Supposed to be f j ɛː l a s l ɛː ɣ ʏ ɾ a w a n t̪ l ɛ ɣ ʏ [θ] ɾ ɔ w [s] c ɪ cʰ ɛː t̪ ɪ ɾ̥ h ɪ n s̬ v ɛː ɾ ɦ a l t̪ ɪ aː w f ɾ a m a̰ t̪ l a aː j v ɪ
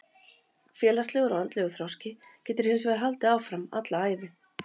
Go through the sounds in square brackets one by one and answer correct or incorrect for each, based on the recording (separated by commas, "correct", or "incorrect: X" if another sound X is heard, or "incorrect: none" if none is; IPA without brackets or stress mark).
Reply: correct, correct